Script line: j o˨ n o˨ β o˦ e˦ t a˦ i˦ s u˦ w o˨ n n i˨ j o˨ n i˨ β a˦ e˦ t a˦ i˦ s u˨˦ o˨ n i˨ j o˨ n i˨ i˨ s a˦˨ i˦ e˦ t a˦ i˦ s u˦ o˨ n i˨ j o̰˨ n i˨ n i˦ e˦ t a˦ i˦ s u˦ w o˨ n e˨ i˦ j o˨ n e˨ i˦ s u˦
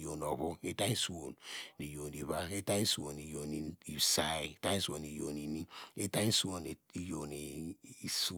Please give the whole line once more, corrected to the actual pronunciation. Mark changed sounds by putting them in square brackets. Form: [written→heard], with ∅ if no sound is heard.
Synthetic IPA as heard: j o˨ n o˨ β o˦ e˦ t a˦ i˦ s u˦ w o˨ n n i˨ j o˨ n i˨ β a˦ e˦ t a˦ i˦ s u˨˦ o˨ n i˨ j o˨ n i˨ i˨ s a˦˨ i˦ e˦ t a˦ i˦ s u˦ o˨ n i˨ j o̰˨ n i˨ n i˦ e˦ t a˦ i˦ s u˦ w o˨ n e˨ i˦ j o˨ n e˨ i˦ s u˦